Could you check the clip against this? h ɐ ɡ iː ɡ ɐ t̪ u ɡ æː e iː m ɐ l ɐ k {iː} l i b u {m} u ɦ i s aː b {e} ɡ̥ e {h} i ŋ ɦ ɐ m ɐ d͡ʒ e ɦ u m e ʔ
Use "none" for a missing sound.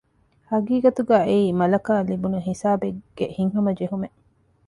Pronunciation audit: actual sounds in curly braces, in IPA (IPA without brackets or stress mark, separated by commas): aː, n, e, h